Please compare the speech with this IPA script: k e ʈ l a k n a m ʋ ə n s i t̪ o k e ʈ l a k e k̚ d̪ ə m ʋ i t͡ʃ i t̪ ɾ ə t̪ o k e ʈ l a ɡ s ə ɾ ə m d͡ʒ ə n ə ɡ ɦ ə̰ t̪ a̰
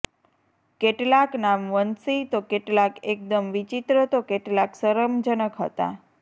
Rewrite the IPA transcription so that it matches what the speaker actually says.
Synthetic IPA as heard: k e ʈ l a k n a m ʋ ə n s i t̪ o k e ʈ l a k e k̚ d̪ ə m ʋ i t͡ʃ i t̪ ɾ ə t̪ o k e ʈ l a k s ə ɾ ə m d͡ʒ ə n ə k ɦ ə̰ t̪ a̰